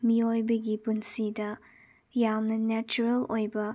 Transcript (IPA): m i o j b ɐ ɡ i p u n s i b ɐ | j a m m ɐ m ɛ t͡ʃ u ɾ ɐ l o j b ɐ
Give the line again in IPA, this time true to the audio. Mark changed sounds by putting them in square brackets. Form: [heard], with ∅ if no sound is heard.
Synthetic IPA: m i o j b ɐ ɡ i p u n s i [d] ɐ | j a m [n] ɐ [n] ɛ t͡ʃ u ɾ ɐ l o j b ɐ